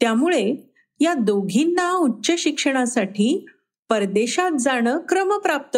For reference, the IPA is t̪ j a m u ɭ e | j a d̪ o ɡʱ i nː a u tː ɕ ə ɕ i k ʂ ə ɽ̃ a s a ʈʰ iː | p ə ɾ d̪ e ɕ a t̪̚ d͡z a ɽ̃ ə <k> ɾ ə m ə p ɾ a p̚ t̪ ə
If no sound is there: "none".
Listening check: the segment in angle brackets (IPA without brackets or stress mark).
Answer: k